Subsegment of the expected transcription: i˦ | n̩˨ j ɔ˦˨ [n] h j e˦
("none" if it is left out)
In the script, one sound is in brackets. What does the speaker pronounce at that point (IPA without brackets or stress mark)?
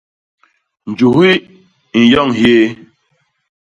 ŋ